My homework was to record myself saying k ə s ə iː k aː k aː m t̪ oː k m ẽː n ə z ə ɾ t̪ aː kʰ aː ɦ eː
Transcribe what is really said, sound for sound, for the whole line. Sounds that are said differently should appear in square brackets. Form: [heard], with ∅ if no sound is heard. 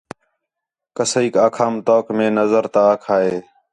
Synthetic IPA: k ə s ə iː k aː [kʰ] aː m t̪ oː k m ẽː n ə z ə ɾ t̪ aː kʰ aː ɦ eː

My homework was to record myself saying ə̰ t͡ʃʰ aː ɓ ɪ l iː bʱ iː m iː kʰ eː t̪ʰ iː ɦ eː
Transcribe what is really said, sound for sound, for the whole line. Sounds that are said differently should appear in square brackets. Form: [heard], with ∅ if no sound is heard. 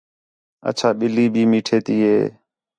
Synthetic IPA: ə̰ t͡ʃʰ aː ɓ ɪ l iː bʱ iː m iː [ʈʰ] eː [t̪] iː ɦ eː

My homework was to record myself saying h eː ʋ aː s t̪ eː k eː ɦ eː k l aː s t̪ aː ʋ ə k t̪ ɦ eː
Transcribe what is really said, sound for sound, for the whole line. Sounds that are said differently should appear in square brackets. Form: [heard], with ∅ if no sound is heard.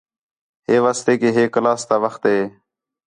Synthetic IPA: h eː ʋ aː s t̪ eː k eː ɦ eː k l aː s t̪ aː ʋ ə [x] t̪ ɦ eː

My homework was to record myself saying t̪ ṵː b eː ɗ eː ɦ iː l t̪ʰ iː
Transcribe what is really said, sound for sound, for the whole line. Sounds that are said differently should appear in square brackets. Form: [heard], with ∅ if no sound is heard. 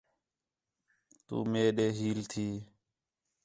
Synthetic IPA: t̪ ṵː [m] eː ɗ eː ɦ iː l t̪ʰ iː

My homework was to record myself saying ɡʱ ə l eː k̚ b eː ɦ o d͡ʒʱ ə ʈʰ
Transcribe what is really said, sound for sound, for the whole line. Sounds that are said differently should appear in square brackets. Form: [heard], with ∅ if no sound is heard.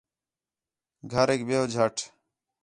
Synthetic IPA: ɡʱ ə [ɾ] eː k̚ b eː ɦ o d͡ʒʱ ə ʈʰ

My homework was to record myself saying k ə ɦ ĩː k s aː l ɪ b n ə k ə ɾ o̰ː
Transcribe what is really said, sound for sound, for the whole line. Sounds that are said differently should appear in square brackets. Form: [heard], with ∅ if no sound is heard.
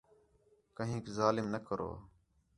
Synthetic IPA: k ə ɦ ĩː k [z] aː l ɪ [m] n ə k ə ɾ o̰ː

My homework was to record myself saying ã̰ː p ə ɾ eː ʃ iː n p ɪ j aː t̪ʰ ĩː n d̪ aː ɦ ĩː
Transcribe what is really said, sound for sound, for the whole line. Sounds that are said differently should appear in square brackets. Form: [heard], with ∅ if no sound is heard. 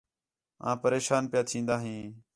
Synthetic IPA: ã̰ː p ə ɾ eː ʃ [aː] n p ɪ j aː t̪ʰ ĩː n d̪ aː ɦ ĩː

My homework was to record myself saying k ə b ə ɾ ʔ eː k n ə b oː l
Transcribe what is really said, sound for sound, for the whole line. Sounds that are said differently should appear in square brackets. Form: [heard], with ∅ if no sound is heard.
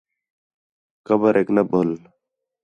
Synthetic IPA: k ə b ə ɾ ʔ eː k n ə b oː l

